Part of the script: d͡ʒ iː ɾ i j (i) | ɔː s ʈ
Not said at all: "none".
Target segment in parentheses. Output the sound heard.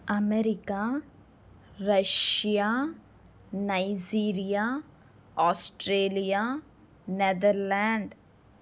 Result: a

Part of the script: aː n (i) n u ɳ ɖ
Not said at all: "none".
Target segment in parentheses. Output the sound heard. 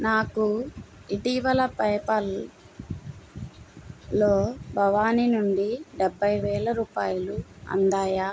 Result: i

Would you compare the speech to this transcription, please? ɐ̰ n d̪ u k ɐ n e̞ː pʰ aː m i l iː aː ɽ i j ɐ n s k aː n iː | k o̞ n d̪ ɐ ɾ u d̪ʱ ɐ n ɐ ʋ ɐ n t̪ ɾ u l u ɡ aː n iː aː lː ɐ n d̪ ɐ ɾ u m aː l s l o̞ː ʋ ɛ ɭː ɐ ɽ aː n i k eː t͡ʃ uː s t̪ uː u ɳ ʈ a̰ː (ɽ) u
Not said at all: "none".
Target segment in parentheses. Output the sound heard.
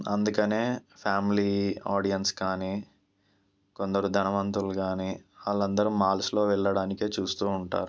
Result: ɾ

